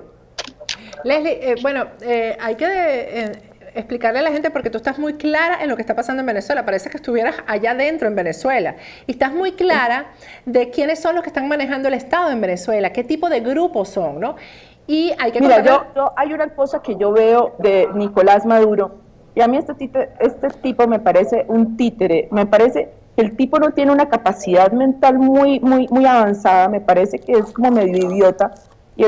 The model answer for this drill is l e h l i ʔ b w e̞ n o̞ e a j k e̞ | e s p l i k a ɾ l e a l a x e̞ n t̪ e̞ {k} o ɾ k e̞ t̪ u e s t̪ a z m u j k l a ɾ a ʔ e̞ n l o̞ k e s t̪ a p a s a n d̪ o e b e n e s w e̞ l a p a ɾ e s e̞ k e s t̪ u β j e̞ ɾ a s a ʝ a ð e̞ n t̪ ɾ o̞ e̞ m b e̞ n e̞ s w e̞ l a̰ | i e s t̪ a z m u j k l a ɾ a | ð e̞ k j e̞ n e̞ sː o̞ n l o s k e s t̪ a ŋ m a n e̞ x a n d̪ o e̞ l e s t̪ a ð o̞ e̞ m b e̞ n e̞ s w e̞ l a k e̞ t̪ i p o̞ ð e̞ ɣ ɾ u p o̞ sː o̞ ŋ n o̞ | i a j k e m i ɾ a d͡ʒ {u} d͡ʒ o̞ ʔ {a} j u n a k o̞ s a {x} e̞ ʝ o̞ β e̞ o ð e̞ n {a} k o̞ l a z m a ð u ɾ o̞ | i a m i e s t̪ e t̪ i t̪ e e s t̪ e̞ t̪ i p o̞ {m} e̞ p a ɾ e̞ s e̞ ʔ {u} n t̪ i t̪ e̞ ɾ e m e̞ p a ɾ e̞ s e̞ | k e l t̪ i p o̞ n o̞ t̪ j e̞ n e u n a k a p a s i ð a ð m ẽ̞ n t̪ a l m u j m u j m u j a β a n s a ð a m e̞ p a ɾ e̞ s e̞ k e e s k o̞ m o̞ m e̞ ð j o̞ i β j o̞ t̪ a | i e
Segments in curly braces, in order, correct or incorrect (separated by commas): incorrect, incorrect, correct, incorrect, incorrect, correct, correct